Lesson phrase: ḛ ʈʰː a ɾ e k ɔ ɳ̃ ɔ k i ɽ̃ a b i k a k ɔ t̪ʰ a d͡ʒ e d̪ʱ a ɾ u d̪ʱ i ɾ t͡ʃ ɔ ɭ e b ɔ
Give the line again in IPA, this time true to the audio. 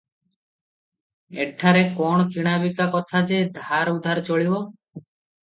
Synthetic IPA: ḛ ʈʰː a ɾ e k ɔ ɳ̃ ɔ k i ɽ̃ a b i k a k ɔ t̪ʰ a d͡ʒ e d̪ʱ a ɾ u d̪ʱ a ɾ t͡ʃ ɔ ɭ i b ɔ